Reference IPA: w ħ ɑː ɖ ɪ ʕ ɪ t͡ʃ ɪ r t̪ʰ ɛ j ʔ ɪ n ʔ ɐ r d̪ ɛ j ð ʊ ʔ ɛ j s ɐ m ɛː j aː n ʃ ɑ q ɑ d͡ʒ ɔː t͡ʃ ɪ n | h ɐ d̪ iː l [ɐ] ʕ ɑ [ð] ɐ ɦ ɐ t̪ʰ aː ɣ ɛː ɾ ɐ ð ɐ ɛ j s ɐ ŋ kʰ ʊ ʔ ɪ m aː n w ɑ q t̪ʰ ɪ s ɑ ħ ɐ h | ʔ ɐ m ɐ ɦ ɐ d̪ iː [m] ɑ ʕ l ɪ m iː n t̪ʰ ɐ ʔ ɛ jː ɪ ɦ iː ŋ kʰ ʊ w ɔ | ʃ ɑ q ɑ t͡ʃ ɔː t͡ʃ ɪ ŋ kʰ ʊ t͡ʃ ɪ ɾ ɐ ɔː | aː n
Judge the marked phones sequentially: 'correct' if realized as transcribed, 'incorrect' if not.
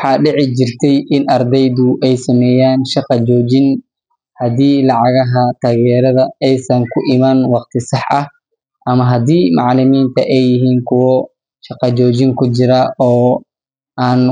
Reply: incorrect, incorrect, correct

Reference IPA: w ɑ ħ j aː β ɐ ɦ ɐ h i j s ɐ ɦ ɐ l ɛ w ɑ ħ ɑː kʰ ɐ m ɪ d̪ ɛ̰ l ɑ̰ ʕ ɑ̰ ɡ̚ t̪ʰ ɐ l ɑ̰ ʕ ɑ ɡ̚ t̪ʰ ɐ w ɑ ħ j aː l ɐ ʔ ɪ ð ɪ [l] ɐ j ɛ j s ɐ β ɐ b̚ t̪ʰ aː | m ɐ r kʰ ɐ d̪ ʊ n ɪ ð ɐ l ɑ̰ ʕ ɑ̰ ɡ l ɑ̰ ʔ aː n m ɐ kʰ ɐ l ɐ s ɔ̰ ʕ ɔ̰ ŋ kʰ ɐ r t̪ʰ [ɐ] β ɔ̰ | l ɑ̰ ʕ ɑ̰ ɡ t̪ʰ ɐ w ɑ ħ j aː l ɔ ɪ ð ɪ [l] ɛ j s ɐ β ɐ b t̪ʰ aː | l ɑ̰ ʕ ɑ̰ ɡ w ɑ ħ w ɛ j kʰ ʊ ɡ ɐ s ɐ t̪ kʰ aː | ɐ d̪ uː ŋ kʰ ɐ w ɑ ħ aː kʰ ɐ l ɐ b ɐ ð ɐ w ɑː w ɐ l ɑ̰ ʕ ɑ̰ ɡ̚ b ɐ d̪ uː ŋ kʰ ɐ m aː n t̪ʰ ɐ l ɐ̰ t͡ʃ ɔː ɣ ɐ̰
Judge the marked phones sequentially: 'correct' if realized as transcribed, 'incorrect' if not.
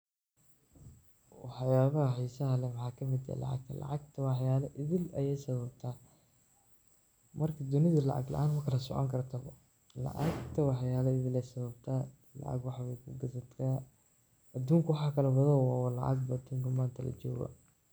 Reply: correct, correct, correct

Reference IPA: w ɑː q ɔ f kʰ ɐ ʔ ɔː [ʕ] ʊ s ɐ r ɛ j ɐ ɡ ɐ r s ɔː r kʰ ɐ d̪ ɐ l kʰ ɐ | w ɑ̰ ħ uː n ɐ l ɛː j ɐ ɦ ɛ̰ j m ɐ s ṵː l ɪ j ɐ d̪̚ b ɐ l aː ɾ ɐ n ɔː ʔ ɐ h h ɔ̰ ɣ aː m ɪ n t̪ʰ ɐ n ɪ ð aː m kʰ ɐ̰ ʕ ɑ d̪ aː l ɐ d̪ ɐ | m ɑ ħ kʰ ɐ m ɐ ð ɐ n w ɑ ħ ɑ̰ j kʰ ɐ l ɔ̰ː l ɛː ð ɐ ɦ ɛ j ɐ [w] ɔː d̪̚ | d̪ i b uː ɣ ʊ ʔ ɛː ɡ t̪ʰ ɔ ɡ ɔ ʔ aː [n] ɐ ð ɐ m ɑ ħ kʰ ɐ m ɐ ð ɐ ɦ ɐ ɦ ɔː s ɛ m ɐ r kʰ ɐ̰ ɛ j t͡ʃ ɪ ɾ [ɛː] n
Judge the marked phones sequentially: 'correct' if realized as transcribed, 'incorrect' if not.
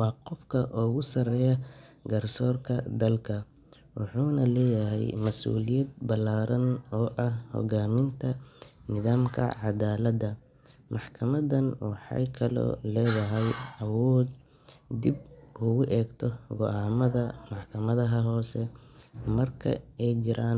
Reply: incorrect, correct, incorrect, incorrect

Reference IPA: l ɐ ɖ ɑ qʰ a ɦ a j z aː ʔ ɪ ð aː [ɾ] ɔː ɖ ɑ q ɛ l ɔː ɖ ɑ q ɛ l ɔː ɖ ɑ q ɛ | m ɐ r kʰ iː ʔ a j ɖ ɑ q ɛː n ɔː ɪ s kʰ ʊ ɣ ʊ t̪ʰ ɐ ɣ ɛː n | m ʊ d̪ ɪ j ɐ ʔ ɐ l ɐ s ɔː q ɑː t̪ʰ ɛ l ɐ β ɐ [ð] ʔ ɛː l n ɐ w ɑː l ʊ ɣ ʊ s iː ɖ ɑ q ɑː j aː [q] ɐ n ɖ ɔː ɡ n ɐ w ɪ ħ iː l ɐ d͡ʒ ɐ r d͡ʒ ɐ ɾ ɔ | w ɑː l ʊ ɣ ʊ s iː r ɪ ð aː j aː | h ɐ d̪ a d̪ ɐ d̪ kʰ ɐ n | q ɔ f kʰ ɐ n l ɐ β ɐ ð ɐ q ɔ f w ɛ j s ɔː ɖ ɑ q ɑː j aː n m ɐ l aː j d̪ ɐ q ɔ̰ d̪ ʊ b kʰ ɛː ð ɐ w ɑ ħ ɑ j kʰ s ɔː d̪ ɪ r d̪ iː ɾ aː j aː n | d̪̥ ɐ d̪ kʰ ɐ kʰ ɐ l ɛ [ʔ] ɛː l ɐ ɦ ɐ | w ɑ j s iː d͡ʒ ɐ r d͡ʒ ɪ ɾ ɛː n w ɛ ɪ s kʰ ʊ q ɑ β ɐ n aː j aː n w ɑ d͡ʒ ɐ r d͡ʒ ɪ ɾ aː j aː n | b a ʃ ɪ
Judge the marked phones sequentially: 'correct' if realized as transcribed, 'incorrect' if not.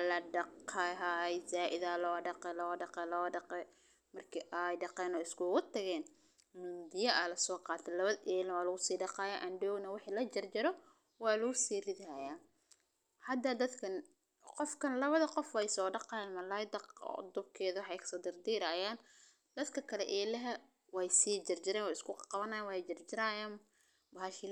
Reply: incorrect, correct, incorrect, correct

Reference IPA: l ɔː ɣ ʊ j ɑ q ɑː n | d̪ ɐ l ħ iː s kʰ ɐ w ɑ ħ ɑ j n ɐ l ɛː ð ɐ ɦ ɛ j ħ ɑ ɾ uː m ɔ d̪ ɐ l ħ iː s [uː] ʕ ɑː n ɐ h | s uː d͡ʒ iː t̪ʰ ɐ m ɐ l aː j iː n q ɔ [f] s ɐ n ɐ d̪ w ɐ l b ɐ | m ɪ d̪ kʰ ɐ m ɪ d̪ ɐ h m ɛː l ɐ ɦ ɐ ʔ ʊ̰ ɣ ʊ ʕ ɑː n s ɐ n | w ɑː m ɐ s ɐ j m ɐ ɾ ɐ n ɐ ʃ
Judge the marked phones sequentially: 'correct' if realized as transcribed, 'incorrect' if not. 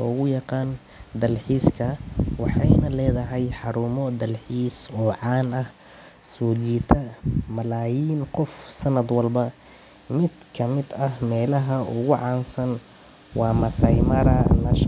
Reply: incorrect, correct

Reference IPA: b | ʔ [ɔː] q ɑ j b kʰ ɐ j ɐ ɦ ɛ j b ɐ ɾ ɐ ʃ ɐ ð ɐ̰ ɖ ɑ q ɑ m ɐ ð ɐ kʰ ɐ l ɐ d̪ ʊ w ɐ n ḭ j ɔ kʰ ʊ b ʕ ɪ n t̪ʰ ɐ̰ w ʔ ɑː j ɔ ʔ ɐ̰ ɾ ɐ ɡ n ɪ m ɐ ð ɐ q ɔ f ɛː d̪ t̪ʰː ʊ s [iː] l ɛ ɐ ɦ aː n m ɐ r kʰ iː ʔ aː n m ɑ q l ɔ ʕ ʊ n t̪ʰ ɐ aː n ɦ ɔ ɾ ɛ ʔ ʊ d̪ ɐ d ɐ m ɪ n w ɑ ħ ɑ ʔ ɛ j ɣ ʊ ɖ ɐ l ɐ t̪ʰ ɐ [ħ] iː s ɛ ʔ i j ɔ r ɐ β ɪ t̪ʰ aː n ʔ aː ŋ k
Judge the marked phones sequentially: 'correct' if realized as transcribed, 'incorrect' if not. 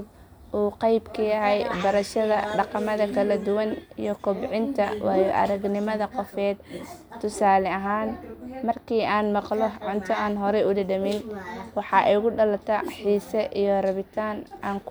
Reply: incorrect, incorrect, correct

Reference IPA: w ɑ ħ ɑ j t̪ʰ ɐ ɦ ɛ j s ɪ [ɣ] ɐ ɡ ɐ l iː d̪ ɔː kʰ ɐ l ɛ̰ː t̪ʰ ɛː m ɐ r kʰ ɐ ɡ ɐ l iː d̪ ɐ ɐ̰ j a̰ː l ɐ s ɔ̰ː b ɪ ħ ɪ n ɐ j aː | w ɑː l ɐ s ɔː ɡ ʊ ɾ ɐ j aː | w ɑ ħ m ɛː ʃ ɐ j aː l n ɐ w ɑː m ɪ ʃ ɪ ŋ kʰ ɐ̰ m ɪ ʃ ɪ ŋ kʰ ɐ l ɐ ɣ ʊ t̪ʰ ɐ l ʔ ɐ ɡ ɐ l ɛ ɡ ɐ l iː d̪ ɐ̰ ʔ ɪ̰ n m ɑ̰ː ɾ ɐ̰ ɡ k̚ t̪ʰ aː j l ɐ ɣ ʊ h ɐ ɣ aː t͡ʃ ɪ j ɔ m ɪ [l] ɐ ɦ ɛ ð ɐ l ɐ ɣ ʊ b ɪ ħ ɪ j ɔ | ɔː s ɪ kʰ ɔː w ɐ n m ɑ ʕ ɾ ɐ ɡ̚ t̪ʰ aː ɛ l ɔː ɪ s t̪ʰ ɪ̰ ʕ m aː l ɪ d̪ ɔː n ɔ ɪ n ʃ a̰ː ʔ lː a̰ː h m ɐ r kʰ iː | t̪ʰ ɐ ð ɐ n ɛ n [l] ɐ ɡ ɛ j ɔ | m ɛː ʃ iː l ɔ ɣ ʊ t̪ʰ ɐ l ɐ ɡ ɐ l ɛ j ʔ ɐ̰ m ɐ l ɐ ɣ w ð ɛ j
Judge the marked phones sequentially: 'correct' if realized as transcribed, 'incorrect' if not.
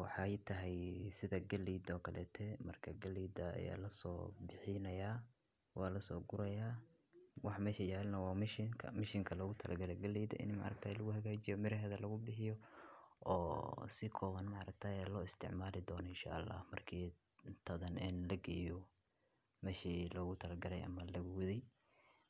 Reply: incorrect, incorrect, correct

